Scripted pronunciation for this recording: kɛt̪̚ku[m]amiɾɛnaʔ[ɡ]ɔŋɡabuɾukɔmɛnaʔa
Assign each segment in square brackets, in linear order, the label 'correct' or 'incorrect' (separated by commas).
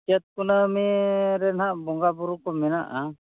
incorrect, incorrect